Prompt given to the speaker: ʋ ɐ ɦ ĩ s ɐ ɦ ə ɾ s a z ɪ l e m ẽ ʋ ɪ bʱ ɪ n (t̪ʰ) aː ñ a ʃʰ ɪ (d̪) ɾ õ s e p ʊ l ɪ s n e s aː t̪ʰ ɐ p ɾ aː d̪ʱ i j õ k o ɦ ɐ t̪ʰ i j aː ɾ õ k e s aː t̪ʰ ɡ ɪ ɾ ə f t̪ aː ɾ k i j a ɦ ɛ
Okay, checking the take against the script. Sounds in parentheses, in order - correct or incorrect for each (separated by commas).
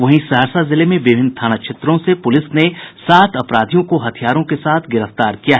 correct, incorrect